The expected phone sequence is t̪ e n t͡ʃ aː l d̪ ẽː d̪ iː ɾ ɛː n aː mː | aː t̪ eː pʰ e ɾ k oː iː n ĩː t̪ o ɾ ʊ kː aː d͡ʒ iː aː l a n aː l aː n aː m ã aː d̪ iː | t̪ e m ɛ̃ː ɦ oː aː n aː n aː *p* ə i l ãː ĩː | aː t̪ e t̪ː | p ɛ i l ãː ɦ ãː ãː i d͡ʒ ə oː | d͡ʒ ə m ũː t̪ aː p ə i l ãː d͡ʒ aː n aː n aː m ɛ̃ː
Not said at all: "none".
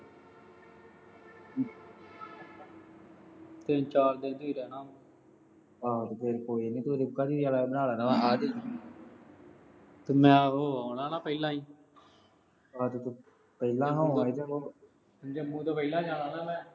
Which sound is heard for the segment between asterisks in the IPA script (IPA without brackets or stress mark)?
p